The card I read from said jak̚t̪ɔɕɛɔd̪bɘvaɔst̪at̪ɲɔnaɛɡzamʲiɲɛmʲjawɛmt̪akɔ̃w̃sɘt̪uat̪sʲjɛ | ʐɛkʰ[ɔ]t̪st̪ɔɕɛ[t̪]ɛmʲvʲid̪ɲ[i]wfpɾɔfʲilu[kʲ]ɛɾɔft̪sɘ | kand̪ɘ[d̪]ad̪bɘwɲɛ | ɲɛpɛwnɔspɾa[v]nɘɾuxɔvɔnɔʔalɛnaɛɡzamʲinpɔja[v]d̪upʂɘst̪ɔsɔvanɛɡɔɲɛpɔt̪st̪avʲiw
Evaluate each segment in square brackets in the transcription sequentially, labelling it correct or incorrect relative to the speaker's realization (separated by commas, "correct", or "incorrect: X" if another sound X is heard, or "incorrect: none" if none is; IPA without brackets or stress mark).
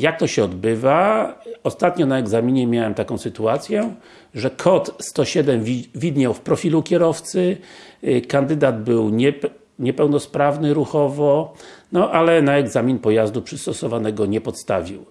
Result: correct, incorrect: d̪, incorrect: a, correct, correct, correct, incorrect: z